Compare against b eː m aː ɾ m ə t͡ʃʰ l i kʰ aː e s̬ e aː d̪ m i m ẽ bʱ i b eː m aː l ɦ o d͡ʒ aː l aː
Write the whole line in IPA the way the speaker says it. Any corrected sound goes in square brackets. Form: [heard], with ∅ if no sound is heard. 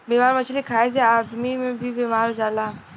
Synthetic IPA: b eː m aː ɾ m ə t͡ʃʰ l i kʰ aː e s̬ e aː d̪ m i m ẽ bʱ i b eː m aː [ɾ] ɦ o d͡ʒ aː l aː